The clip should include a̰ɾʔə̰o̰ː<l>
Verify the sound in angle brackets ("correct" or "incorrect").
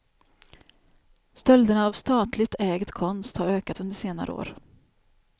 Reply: incorrect